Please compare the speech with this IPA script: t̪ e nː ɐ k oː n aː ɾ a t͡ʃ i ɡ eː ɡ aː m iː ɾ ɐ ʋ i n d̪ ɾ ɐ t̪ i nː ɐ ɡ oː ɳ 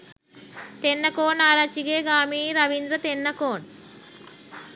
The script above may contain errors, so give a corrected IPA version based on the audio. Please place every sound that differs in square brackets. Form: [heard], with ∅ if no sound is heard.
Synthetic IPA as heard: t̪ e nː ɐ k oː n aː ɾ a t͡ʃ i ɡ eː ɡ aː m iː ɾ ɐ ʋ i n d̪ ɾ ɐ t̪ [e] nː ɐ [k] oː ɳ

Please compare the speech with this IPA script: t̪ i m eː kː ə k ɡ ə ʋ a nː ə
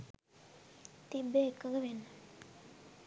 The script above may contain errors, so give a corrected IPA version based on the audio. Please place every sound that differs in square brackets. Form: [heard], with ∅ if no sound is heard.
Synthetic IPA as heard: t̪ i [b] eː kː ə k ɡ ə ʋ [e] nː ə

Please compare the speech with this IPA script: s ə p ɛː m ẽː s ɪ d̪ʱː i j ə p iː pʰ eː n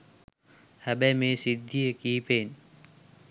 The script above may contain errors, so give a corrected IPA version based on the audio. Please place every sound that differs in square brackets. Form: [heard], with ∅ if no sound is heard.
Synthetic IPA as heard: [h] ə [b] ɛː m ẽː s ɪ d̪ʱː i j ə [k] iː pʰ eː n

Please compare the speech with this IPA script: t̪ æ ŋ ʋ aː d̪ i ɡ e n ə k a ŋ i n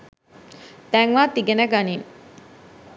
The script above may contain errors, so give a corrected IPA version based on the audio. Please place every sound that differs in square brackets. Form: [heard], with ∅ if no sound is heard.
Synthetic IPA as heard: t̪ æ ŋ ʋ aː [t̪] i ɡ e n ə [ɡ] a [n] i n

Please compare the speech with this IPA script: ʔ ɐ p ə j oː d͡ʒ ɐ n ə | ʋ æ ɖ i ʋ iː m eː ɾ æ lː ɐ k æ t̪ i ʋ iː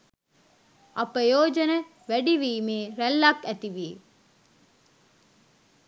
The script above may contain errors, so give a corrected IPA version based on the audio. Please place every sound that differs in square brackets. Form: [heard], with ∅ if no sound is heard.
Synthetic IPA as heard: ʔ ɐ p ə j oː d͡ʒ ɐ n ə | ʋ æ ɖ i ʋ iː m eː ɾ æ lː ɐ k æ t̪ i ʋ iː

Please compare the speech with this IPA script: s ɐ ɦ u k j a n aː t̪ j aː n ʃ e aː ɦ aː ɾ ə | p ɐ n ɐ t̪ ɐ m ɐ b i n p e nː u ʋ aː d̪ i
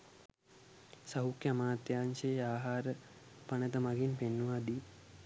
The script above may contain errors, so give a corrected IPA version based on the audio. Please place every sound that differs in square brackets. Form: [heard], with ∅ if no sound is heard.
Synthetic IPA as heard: s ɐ ɦ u k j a [m] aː t̪ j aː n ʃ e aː ɦ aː ɾ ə | p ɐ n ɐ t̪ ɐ m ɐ [ɡ] i n p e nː u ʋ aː d̪ i

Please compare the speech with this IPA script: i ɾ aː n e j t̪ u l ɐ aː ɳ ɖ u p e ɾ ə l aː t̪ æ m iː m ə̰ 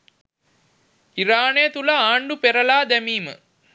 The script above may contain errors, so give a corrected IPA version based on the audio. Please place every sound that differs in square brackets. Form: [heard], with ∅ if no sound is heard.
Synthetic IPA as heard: i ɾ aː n e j t̪ u l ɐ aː ɳ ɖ u p e ɾ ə l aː [d̪] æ m iː m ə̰

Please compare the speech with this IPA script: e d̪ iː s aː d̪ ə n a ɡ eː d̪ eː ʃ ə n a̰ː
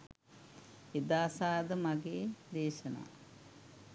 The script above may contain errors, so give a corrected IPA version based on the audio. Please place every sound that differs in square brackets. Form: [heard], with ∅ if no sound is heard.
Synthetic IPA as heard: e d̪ [aː] s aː d̪ ə [m] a ɡ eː d̪ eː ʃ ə n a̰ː

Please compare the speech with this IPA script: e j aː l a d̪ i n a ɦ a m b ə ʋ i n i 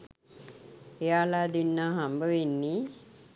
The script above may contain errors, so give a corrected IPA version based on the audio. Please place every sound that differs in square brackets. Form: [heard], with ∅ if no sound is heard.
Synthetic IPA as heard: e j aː l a d̪ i [nː] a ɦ a m b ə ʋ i [nː] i

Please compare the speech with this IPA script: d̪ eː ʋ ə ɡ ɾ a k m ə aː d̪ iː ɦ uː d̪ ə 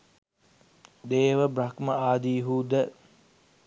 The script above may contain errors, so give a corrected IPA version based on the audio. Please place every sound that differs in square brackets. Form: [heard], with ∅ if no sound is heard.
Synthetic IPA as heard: d̪ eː ʋ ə [b] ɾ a k m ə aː d̪ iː ɦ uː d̪ ə

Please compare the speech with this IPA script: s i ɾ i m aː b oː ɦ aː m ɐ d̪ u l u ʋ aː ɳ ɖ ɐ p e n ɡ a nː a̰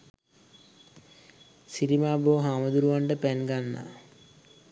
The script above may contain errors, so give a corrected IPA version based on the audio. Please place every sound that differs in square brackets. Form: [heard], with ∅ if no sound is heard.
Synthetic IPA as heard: s i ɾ i m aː b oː ɦ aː m ɐ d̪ u [ɾ] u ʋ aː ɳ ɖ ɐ p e n ɡ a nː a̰

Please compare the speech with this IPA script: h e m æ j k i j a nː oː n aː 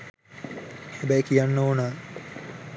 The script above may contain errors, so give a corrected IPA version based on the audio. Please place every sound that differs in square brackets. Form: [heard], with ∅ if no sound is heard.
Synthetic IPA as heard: h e [b] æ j k i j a nː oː n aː

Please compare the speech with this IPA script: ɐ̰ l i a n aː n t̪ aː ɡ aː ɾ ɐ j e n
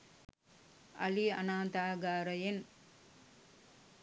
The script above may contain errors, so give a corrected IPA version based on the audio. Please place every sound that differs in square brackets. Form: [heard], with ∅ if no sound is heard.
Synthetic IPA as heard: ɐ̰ l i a n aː n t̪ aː ɡ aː ɾ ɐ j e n

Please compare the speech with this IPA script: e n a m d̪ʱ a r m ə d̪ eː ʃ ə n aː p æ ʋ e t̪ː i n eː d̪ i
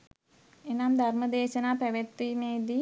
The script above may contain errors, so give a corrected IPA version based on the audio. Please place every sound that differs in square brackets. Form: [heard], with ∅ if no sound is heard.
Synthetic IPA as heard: e n a m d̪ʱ a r m ə d̪ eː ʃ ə n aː p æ ʋ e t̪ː i [m] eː d̪ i

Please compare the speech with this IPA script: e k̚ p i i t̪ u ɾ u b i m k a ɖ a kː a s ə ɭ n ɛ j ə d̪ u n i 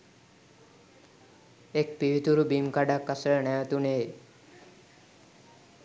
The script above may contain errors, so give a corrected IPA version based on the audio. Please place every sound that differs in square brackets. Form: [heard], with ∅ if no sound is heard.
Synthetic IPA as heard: e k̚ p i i t̪ u ɾ u b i m k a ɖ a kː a s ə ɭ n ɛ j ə [t̪] u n [e]

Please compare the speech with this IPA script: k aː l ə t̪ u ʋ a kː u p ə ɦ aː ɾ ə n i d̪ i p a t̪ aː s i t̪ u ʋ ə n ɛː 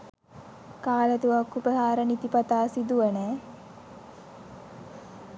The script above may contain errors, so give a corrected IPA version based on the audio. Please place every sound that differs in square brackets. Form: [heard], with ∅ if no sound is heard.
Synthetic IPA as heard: k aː l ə t̪ u ʋ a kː u p ə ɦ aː ɾ ə n i [t̪] i p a t̪ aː s i [d̪] u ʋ ə n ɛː

